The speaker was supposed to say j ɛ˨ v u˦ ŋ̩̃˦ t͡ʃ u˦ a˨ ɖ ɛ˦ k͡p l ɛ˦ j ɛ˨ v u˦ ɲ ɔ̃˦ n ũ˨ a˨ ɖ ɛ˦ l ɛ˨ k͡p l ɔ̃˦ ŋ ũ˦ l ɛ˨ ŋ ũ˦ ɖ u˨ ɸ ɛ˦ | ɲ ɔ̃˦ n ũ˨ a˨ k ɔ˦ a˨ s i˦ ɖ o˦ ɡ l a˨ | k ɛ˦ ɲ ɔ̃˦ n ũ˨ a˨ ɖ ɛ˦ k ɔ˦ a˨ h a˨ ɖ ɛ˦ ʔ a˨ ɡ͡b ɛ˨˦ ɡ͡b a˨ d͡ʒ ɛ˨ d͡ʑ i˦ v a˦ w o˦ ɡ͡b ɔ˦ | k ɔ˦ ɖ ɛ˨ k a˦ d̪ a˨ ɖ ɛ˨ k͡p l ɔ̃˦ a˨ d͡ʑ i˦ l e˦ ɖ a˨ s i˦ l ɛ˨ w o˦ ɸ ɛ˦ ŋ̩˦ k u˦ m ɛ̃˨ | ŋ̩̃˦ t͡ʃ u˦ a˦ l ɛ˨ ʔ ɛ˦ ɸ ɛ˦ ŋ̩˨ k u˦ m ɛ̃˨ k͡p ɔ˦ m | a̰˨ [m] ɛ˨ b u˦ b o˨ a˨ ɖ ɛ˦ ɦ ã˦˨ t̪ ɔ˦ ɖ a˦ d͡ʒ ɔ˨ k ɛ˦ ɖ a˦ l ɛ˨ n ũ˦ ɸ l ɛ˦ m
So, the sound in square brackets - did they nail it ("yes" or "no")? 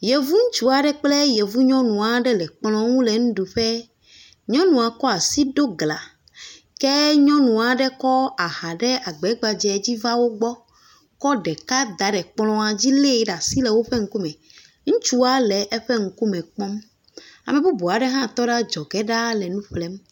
yes